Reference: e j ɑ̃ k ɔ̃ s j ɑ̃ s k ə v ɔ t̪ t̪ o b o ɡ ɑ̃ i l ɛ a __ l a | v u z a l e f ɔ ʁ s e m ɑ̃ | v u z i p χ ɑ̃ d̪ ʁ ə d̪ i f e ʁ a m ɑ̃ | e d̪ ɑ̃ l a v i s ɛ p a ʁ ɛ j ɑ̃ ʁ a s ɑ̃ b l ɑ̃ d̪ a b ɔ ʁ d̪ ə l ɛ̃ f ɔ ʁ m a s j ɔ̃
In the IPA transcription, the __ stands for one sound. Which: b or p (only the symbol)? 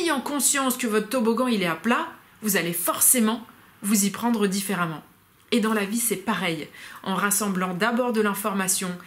p